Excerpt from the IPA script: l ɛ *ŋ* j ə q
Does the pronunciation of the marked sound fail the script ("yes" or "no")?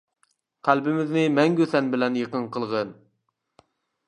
yes